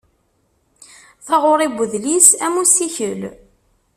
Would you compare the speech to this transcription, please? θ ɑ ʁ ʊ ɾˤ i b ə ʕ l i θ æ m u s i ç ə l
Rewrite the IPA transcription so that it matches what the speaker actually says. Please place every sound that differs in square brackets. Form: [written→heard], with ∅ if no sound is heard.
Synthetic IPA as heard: θ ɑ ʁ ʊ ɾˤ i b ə [ʕ→ð] l i [θ→s] æ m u s i ç ə l